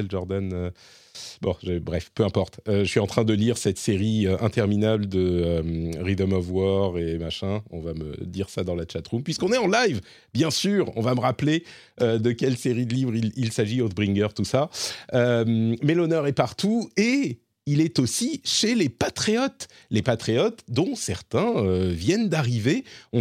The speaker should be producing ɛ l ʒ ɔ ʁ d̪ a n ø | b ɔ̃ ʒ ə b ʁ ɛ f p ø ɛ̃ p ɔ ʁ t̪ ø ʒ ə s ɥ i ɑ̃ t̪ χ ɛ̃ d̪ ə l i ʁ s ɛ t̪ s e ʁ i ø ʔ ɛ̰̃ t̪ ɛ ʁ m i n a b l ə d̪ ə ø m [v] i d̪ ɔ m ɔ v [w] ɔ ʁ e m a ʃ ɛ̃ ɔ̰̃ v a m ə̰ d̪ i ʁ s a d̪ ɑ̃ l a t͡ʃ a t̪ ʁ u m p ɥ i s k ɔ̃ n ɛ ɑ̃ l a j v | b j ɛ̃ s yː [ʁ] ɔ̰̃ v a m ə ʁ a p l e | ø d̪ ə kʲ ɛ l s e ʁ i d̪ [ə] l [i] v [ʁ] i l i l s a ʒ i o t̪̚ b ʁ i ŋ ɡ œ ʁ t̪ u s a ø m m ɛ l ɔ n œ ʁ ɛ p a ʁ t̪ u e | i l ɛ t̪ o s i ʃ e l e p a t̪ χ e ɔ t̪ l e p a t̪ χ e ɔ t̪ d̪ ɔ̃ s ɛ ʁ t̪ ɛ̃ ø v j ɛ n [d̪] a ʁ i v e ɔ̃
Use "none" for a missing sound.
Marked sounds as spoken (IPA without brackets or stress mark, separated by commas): ʁ, w, ʁ, ə, i, ʁ, d̪